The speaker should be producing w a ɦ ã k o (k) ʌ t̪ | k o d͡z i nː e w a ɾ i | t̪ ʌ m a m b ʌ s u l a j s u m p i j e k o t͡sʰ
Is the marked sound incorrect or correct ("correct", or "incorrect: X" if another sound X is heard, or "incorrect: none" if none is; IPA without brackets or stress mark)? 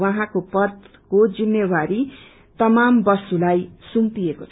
incorrect: p